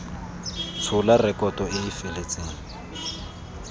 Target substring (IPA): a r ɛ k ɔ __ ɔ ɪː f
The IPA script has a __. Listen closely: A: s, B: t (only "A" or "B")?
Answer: B